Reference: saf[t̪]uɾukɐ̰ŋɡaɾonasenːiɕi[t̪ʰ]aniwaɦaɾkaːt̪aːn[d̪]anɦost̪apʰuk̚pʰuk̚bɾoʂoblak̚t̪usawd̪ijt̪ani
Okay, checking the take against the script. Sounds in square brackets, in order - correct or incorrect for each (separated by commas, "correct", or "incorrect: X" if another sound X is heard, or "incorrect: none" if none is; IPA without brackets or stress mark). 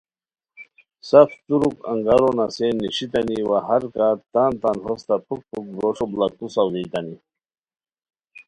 correct, incorrect: t̪, incorrect: t̪